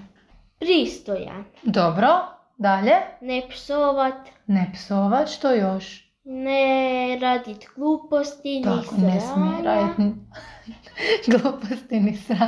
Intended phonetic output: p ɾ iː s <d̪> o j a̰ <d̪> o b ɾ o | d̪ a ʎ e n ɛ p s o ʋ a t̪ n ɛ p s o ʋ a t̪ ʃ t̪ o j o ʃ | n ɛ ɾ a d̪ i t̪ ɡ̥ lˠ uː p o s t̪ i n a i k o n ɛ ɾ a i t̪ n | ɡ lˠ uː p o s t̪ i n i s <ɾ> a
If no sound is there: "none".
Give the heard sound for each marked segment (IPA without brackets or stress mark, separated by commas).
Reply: t̪, d̪, ɾ